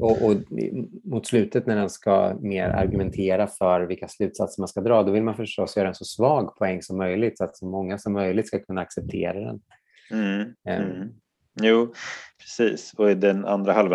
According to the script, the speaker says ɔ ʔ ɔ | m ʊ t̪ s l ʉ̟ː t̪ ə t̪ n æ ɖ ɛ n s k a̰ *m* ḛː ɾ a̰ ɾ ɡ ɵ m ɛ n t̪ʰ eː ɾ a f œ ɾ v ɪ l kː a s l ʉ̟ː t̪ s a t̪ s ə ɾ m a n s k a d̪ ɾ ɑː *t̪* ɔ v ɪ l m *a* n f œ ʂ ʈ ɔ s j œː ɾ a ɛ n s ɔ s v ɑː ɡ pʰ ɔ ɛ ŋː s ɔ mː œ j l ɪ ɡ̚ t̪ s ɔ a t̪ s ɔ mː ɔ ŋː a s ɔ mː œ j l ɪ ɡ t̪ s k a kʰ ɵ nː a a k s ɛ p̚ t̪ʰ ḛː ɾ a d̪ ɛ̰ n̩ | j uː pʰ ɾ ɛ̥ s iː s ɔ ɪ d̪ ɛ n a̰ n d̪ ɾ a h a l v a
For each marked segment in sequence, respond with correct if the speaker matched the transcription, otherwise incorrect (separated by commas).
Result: correct, incorrect, correct